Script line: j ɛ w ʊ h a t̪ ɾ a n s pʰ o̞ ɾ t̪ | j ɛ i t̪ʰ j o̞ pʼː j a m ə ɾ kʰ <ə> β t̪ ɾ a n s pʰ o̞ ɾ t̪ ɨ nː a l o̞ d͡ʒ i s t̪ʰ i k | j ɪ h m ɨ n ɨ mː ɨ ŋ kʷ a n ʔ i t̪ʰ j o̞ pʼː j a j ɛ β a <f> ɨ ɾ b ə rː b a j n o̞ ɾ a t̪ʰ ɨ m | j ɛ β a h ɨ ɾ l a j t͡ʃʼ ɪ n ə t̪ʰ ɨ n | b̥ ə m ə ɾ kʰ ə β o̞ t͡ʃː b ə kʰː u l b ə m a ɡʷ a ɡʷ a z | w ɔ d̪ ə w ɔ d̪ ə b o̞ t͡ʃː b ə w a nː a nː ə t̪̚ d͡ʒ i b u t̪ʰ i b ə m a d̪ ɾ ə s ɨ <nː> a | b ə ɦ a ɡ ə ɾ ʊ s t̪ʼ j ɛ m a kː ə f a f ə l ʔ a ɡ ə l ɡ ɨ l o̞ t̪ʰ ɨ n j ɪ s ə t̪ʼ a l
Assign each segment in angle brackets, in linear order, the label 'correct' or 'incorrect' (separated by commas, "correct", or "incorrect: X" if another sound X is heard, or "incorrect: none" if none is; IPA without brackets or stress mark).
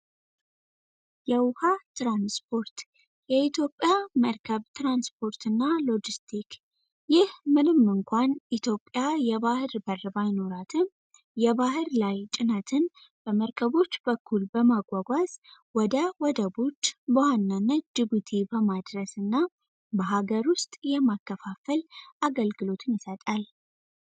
correct, incorrect: h, correct